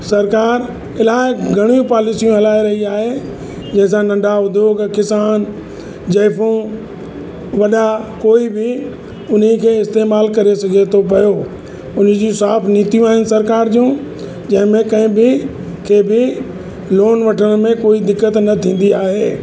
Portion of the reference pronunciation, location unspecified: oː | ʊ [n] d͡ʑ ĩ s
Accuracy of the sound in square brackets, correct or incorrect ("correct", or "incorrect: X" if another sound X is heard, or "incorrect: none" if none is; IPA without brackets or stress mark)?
correct